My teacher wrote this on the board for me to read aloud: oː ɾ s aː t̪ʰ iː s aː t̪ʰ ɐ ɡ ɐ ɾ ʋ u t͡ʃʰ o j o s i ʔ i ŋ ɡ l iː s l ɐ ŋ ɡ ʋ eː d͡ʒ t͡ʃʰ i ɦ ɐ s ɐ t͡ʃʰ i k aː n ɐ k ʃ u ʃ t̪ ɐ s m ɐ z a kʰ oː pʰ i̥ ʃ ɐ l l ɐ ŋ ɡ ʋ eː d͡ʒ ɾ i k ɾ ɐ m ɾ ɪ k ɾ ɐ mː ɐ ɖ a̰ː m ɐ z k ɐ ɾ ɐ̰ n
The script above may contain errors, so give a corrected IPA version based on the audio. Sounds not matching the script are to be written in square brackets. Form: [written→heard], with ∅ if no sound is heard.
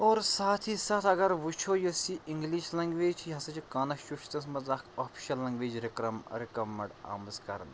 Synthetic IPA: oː ɾ s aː t̪ʰ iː s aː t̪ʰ ɐ ɡ ɐ ɾ ʋ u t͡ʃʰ o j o s i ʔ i ŋ ɡ l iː [s→ʃ] l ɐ ŋ ɡ ʋ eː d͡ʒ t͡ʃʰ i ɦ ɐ s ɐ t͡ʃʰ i k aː n ɐ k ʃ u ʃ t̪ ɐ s m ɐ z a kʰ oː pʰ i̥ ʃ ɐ l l ɐ ŋ ɡ ʋ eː d͡ʒ ɾ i k ɾ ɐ m ɾ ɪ k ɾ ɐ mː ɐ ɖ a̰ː m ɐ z k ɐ ɾ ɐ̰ n